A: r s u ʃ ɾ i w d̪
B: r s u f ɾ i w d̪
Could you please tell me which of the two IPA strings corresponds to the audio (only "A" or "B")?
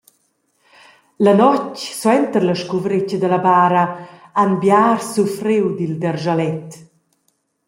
B